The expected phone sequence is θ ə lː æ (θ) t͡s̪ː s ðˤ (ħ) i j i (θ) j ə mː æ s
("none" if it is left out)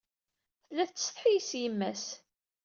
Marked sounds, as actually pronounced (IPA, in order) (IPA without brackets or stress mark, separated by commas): θ, ħ, s